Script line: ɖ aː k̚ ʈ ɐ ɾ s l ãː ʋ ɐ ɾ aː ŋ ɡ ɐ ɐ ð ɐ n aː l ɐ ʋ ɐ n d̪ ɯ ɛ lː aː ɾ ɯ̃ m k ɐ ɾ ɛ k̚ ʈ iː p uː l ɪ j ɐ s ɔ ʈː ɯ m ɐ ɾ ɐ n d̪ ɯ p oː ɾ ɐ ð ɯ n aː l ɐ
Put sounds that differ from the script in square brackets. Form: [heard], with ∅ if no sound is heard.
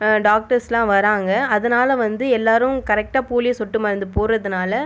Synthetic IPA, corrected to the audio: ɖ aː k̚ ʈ ɐ ɾ s l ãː ʋ ɐ ɾ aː ŋ ɡ ɐ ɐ ð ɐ n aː l ɐ ʋ ɐ n d̪ ɯ ɛ lː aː ɾ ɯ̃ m k ɐ ɾ ɛ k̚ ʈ [aː] p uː l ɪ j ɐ s ɔ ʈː ɯ m ɐ ɾ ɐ n d̪ ɯ p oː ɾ ɐ ð ɯ n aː l ɐ